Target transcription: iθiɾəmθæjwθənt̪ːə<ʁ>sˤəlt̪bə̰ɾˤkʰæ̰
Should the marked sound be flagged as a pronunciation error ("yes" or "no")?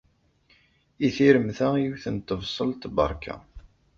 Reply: yes